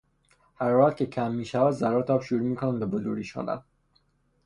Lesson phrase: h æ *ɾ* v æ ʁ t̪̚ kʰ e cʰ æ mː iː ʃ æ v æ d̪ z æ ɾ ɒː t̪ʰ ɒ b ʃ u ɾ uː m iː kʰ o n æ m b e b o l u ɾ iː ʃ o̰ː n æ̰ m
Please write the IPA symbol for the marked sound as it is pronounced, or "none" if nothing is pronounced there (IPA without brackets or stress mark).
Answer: ɾ